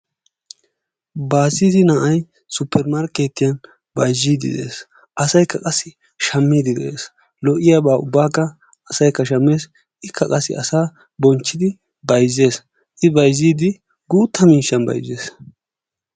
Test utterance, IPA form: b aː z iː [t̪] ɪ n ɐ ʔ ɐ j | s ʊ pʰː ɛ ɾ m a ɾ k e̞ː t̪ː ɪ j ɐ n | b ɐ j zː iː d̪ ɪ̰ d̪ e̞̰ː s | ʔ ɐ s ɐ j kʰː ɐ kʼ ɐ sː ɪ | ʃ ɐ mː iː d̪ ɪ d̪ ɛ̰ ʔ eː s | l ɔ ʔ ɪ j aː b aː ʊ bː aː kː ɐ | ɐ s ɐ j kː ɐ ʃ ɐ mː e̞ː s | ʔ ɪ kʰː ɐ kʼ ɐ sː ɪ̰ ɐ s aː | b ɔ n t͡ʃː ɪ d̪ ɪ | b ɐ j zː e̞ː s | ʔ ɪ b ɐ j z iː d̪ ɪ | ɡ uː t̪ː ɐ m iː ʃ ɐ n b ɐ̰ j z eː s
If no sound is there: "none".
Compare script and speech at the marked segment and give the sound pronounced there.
d̪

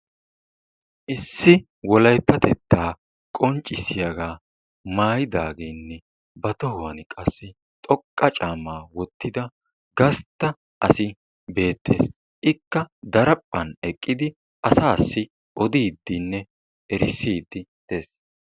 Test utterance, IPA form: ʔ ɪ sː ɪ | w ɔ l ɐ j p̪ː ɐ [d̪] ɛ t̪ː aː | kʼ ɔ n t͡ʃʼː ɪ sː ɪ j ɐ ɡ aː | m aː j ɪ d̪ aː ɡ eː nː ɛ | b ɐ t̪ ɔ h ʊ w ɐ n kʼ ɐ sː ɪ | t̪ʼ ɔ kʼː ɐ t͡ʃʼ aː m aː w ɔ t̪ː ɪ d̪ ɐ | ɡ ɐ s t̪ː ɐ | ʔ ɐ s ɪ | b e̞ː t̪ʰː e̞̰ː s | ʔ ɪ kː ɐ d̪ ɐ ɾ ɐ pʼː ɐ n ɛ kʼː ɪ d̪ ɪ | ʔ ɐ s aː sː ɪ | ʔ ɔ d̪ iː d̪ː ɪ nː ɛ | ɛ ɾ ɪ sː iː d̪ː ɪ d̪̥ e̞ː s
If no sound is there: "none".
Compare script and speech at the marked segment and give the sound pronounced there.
t̪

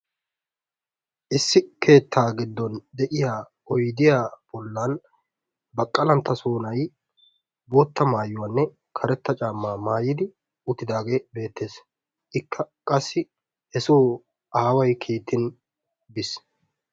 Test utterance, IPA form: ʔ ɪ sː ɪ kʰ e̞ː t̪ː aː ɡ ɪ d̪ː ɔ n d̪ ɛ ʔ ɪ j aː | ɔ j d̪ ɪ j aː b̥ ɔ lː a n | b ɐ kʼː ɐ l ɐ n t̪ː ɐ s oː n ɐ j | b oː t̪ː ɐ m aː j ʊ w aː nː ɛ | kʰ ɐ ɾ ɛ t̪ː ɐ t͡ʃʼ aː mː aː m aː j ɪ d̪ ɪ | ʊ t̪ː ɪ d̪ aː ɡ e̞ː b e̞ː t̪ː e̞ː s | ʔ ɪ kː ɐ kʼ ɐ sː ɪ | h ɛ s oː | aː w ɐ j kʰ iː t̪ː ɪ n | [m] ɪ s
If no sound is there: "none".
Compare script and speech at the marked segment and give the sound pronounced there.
b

